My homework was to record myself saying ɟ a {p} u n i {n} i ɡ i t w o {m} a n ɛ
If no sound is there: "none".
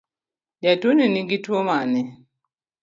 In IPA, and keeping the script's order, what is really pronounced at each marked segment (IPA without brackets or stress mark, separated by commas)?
t, n, m